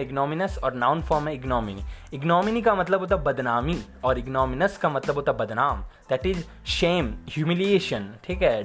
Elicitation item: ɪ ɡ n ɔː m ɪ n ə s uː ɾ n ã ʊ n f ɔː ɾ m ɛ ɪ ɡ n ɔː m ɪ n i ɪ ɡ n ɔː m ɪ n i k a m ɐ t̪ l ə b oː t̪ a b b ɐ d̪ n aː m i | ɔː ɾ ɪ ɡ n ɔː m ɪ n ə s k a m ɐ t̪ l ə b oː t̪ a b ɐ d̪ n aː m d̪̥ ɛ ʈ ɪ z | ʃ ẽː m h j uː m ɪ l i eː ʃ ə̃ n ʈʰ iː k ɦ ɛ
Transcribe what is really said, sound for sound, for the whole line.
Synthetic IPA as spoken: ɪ ɡ n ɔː m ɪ n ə s ɔː ɾ n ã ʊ n f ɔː ɾ m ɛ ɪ ɡ n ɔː m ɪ n i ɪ ɡ n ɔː m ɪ n i k a m ɐ t̪ l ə b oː t̪ a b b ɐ d̪ n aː m i | ɔː ɾ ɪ ɡ n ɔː m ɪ n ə s k a m ɐ t̪ l ə b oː t̪ a b ɐ d̪ n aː m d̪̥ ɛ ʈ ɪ z | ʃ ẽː m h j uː m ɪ l i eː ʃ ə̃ n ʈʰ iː k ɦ ɛ